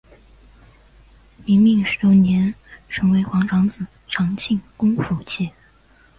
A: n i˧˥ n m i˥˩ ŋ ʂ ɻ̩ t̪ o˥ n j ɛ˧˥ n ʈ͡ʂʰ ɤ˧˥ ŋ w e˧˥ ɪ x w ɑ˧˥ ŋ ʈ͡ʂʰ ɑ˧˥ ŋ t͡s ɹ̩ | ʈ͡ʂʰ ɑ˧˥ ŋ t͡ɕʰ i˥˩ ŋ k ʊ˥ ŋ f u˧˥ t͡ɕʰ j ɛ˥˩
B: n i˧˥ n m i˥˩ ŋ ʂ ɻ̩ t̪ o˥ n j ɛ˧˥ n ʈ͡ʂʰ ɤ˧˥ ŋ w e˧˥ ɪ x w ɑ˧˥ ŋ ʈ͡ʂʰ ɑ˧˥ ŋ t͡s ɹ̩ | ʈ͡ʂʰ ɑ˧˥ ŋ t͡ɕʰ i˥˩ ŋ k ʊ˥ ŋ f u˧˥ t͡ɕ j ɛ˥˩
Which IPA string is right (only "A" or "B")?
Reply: A